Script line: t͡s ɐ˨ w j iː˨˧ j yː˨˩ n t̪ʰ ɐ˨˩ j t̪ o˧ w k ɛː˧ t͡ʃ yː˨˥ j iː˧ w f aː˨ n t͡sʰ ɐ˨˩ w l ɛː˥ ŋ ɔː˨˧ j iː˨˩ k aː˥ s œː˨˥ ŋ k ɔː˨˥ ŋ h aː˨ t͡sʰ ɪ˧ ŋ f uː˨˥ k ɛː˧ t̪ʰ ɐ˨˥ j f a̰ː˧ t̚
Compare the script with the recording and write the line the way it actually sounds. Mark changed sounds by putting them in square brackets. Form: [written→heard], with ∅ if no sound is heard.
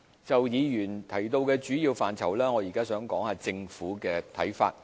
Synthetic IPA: t͡s ɐ˨ w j iː˨˧ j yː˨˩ n t̪ʰ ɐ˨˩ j t̪ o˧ w k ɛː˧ t͡ʃ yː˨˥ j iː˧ w f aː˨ n t͡sʰ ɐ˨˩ w l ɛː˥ ŋ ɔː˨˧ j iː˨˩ k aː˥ s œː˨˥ ŋ k ɔː˨˥ ŋ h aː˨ [t͡sʰ→t͡s] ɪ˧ ŋ f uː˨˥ k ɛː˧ t̪ʰ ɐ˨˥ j f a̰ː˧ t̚

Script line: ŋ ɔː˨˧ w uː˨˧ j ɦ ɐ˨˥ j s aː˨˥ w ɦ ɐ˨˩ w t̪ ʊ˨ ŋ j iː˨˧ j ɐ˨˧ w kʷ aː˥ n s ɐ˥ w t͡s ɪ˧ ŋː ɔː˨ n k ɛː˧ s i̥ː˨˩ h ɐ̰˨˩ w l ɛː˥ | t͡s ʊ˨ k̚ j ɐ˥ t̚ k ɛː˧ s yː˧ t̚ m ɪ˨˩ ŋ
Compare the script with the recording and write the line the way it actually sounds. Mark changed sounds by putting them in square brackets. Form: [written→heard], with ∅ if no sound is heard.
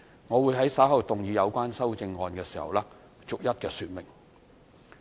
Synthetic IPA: ŋ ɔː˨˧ w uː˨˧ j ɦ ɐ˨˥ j s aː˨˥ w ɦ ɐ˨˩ w t̪ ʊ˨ ŋ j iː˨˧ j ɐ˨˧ w kʷ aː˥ n s ɐ˥ w t͡s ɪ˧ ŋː ɔː˨ n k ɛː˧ s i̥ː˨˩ h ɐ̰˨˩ w l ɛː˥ | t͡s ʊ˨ k̚ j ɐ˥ t̚ k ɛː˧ s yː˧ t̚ m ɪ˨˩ ŋ

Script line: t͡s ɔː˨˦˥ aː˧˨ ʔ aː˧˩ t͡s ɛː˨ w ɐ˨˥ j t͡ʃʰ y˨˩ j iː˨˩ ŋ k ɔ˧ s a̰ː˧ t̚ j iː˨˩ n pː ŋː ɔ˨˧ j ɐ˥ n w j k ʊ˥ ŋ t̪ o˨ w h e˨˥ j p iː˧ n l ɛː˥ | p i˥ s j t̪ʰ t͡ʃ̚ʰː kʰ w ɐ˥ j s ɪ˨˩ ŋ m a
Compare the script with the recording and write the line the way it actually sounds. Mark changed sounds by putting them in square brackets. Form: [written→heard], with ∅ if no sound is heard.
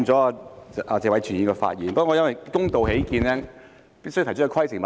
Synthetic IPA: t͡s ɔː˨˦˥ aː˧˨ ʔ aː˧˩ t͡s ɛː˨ w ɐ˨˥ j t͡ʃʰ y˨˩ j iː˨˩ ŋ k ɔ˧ [s→f] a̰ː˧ t̚ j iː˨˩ n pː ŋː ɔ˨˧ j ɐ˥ n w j k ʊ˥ ŋ t̪ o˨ w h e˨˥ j [p→k] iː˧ n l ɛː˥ | p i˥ s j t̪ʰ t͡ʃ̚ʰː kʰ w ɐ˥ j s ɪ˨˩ ŋ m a

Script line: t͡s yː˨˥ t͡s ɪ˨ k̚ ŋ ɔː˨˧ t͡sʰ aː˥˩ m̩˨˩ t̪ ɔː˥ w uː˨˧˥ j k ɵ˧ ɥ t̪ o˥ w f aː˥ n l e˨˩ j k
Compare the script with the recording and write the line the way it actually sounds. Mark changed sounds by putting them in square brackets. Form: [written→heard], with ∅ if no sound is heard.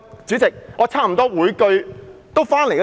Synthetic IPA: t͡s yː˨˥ t͡s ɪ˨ k̚ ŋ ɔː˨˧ t͡sʰ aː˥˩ m̩˨˩ t̪ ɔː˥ w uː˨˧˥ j k ɵ˧ ɥ t̪ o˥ w f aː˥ n l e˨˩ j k

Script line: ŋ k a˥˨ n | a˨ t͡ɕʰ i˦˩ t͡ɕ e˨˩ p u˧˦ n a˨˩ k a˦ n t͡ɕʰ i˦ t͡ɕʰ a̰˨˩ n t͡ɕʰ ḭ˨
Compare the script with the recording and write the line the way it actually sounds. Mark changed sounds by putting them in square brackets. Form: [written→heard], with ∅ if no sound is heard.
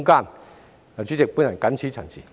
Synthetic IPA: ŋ k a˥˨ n | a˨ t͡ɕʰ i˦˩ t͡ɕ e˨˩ p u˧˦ n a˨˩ k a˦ n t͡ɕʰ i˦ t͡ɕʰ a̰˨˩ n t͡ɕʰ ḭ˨

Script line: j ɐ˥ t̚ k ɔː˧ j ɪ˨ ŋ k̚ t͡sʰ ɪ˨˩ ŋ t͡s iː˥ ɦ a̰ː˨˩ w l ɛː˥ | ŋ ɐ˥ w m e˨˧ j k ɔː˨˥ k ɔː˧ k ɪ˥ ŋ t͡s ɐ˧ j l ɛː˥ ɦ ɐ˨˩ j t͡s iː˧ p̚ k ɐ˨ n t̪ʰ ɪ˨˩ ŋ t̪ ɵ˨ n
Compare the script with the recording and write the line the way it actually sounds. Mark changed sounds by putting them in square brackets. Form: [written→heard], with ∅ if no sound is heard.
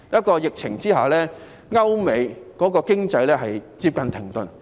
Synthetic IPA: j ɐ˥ t̚ k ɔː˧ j ɪ˨ [ŋ→∅] k̚ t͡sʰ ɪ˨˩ ŋ t͡s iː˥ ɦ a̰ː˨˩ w l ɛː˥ | ŋ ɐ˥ w m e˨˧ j k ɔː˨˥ k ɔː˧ k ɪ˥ ŋ t͡s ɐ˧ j l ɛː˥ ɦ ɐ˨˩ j t͡s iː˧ p̚ k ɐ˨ n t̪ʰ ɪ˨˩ ŋ t̪ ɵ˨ n

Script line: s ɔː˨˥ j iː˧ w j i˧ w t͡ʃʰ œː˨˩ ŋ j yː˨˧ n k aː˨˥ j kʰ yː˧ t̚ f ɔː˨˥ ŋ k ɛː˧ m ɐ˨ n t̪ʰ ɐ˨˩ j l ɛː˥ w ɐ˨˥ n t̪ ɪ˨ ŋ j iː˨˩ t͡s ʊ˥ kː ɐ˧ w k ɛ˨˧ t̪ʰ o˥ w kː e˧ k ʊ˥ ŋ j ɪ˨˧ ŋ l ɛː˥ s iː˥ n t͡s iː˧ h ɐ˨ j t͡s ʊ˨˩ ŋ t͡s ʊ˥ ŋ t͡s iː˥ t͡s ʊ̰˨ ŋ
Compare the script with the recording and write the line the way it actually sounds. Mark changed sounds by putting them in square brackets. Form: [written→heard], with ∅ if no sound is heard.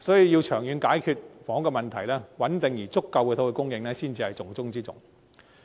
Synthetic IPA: s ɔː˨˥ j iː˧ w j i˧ w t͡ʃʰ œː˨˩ ŋ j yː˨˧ n k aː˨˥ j kʰ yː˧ t̚ f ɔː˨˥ ŋ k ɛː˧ m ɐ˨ n t̪ʰ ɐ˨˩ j l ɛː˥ w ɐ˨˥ n t̪ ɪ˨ ŋ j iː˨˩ t͡s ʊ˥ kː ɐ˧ w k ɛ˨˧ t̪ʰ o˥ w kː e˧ k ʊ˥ ŋ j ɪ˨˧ ŋ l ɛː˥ s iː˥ n t͡s iː˧ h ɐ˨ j t͡s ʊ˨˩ ŋ t͡s ʊ˥ ŋ t͡s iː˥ t͡s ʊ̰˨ ŋ

